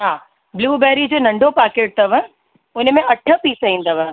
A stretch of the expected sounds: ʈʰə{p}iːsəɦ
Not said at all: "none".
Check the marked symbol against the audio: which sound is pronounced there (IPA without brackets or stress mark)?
p